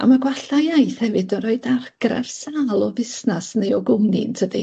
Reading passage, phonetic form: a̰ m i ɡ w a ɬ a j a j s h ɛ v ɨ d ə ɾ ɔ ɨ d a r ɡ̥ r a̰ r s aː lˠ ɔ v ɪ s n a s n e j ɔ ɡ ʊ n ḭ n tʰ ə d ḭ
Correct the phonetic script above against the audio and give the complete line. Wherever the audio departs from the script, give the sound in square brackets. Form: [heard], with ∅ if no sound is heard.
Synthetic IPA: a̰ m [a] ɡ w a ɬ a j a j [θ] h ɛ v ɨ d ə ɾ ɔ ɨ d a r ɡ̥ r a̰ r s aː lˠ ɔ v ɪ s n a s n e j ɔ ɡ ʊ n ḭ n tʰ ə d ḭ